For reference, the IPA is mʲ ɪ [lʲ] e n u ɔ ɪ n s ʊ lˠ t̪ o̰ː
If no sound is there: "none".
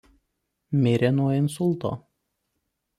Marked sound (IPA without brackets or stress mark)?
ɾʲ